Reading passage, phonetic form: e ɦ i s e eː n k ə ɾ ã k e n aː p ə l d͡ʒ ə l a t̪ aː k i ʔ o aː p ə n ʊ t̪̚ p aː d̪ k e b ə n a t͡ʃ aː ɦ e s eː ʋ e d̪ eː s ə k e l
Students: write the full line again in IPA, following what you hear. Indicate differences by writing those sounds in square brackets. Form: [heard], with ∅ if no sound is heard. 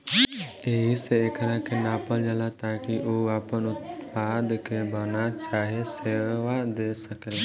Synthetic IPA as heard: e ɦ i s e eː [∅] k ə ɾ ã k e n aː p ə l d͡ʒ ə l a t̪ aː k i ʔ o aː p ə n ʊ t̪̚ p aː d̪ k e b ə n a t͡ʃ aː ɦ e s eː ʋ [a] d̪ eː s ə k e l